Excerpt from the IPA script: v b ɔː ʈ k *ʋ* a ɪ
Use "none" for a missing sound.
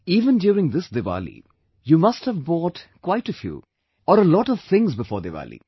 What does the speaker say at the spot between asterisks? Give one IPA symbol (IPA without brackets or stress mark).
w